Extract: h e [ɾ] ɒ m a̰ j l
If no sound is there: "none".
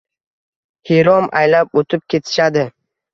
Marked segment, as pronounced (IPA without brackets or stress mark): ɾ